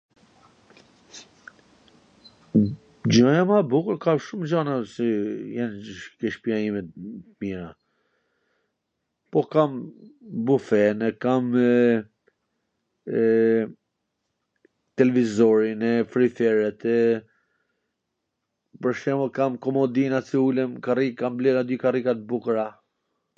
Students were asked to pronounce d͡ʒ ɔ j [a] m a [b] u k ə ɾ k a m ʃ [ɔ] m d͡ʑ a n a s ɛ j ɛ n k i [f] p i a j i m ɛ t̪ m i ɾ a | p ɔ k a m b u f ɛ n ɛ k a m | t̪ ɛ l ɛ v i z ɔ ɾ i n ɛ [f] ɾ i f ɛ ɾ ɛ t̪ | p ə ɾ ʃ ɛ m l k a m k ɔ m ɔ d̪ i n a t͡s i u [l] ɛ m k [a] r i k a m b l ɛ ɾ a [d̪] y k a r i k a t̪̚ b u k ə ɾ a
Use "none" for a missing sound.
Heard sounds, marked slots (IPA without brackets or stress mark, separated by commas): a, b, u, ʃ, f, l, a, d̪